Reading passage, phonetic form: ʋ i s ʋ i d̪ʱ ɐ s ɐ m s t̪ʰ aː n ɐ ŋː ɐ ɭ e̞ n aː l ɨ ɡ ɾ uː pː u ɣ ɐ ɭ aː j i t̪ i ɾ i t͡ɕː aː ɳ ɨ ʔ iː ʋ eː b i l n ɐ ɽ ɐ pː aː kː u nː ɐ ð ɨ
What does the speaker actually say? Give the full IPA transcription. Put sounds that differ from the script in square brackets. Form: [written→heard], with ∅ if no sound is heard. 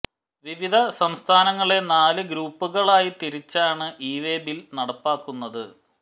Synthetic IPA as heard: ʋ i [s→∅] ʋ i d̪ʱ ɐ s ɐ m s t̪ʰ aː n ɐ ŋː ɐ ɭ e̞ n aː l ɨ ɡ ɾ uː pː u ɣ ɐ ɭ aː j i t̪ i ɾ i t͡ɕː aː ɳ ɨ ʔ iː ʋ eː b i l n ɐ ɽ ɐ pː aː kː u nː ɐ ð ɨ